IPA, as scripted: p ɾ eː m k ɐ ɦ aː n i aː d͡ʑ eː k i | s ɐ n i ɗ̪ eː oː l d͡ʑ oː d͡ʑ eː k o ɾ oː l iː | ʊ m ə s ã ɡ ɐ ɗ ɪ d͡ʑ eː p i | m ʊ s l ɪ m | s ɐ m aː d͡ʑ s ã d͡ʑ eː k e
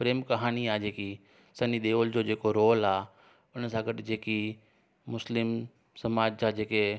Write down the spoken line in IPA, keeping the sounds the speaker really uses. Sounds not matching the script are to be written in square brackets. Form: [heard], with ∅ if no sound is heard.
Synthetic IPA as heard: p ɾ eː m k ɐ ɦ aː n i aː d͡ʑ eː k i | s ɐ n i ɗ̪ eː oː l d͡ʑ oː d͡ʑ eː k o ɾ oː l [aː] | ʊ [n] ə s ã ɡ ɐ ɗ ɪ d͡ʑ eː [k] i | m ʊ s l ɪ m | s ɐ m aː d͡ʑ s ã d͡ʑ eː k e